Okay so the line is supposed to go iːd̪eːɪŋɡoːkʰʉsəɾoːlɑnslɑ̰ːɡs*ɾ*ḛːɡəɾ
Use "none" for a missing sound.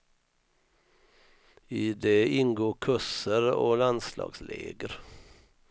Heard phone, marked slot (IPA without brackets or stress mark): l